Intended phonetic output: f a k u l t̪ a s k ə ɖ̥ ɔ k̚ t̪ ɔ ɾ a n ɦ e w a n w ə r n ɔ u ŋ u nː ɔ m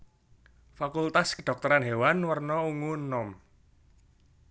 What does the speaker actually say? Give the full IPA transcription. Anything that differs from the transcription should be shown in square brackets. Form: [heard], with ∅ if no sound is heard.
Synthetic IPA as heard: f a k u l t̪ a s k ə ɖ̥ ɔ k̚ t̪ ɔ ɾ a n ɦ e w a n w ə r n ɔ u ŋ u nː ɔ m